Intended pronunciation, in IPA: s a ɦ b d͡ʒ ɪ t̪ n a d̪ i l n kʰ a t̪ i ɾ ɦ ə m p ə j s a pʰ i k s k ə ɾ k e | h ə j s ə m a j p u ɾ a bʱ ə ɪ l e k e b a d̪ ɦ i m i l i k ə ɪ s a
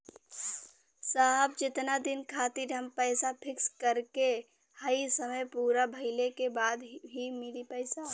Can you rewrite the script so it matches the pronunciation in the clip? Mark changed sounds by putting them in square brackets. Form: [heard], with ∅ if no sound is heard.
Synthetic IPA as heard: s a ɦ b d͡ʒ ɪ t̪ n a d̪ i [∅] n kʰ a t̪ i ɾ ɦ ə m p ə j s a pʰ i k s k ə ɾ k e | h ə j s ə m [ə] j p u ɾ a bʱ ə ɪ l e k e b a d̪ ɦ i m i l i [p] ə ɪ s a